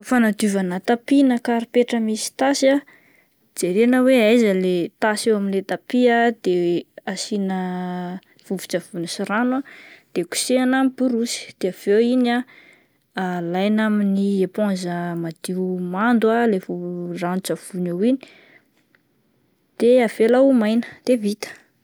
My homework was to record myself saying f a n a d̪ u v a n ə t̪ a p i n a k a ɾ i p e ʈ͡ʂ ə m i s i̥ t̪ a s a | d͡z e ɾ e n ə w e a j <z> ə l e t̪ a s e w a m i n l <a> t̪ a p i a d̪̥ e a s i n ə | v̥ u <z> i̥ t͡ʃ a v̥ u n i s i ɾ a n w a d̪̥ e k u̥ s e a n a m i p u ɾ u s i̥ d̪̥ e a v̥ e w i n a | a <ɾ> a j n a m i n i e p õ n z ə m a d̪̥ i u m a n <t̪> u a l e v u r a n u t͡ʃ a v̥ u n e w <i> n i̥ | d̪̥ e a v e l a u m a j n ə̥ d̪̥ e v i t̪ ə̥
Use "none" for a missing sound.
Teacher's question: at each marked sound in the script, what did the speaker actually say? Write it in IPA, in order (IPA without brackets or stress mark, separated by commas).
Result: z, e, v, l, d̪, i